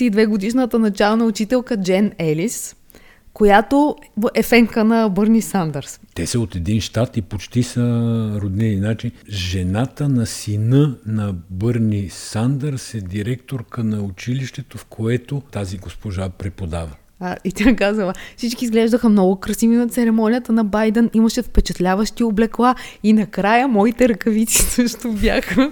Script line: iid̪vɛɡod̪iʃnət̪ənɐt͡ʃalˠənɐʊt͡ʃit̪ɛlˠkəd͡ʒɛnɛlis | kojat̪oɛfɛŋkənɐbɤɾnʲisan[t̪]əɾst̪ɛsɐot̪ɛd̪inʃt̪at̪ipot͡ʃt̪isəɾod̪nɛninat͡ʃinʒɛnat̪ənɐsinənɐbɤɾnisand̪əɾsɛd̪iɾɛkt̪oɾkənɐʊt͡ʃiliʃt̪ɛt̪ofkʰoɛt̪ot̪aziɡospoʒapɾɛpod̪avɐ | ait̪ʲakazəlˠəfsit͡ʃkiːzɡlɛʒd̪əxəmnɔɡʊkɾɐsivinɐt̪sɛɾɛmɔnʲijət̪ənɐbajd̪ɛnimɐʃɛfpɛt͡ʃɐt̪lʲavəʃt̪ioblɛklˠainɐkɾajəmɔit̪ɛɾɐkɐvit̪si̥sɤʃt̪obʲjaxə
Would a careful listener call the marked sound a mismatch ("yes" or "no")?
yes